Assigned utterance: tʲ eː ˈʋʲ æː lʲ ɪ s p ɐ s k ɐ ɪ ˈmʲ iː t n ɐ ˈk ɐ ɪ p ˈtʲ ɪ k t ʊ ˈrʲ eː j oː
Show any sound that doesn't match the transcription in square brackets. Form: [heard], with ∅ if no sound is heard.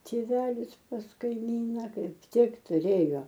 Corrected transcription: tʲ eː ˈʋʲ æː lʲ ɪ s p ɐ s k ɐ ɪ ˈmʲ iː [∅] n ɐ ˈk ɐ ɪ p ˈtʲ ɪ k t ʊ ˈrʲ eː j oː